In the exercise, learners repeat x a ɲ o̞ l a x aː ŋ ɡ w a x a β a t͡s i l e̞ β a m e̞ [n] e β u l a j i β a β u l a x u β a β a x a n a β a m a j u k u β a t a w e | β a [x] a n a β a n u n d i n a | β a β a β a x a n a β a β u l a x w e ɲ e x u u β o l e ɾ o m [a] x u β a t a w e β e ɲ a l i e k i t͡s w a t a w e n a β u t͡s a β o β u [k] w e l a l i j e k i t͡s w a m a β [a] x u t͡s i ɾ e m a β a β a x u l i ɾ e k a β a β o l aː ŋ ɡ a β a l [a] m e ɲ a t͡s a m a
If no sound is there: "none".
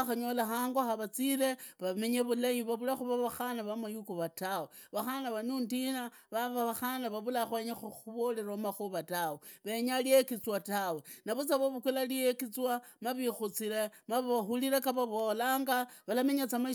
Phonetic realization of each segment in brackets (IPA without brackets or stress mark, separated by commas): ɲ, x, a, k, i, a